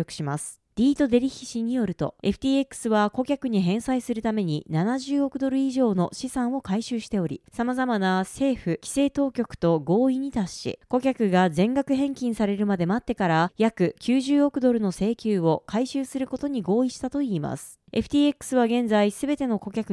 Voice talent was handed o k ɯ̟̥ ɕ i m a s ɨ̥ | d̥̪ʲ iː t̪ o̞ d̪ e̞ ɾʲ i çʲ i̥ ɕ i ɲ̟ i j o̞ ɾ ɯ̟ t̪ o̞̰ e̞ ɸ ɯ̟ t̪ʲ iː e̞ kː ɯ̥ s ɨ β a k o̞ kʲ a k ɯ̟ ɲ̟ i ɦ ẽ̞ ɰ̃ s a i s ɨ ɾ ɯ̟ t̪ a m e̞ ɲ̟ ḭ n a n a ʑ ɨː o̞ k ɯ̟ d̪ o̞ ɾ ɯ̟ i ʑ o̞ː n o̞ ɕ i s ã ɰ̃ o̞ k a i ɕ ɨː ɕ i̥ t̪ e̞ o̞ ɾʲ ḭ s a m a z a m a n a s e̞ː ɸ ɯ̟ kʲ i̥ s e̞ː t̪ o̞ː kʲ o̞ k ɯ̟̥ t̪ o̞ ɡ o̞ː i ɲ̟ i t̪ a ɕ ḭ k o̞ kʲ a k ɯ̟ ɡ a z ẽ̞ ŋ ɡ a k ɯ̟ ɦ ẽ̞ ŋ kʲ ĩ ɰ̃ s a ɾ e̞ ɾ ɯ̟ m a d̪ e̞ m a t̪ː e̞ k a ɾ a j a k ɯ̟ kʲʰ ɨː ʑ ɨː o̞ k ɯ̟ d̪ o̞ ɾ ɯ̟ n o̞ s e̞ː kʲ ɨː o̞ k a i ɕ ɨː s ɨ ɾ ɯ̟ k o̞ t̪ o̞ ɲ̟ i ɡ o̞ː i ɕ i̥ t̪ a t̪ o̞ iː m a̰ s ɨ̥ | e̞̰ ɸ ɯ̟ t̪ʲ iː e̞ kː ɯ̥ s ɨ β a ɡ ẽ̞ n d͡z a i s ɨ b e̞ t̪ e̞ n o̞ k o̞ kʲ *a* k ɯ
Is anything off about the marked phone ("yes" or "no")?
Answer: no